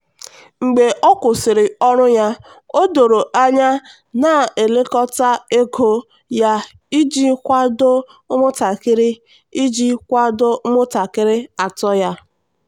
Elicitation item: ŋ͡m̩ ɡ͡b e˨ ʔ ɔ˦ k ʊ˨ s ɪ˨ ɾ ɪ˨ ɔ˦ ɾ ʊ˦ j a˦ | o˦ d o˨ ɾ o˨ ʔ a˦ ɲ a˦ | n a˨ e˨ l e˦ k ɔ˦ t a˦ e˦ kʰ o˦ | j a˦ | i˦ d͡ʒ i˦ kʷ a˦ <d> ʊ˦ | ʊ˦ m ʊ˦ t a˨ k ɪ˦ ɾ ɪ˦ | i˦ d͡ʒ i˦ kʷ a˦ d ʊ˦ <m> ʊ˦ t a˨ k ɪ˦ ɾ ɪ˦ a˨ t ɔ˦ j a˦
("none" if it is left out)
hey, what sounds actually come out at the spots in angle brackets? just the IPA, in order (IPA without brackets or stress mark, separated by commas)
d, m